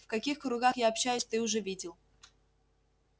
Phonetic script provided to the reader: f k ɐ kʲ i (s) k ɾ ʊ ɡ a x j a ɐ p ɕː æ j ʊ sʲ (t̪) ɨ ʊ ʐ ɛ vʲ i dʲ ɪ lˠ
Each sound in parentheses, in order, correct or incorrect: incorrect: x, correct

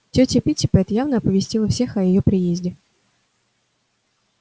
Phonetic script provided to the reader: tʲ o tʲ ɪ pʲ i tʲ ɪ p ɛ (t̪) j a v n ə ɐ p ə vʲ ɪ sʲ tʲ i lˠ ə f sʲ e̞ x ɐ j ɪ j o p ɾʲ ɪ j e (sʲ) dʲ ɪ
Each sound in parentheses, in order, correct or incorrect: correct, incorrect: zʲ

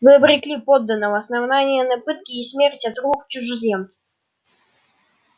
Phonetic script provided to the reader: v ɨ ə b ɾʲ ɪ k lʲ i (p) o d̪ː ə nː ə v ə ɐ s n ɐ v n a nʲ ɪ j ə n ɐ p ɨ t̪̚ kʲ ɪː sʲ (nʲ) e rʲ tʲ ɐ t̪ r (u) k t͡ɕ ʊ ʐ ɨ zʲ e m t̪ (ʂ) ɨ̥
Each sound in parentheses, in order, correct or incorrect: correct, incorrect: mʲ, correct, incorrect: s

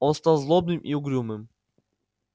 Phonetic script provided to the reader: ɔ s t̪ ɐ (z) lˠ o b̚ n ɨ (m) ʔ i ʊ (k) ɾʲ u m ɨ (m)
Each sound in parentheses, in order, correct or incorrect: correct, correct, incorrect: ɡ, correct

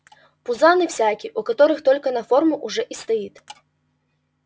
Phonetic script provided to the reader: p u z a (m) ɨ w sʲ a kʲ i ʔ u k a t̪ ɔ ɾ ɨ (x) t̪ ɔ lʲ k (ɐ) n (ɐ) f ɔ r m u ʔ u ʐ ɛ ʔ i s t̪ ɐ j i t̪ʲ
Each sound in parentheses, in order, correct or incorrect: incorrect: n, correct, correct, correct

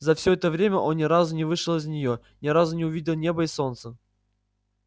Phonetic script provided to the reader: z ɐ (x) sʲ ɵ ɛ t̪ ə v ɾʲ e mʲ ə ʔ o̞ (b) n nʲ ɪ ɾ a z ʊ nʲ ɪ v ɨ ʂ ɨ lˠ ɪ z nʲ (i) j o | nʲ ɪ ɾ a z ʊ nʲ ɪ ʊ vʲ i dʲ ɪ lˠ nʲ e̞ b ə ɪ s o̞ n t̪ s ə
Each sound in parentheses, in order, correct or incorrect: incorrect: f, incorrect: none, incorrect: ɪ

